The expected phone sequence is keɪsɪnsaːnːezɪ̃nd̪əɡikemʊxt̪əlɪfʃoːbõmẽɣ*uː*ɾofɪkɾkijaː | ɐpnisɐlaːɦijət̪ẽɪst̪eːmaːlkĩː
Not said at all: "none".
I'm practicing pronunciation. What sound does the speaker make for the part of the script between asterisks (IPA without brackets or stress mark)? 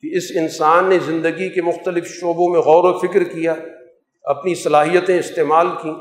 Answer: ɔː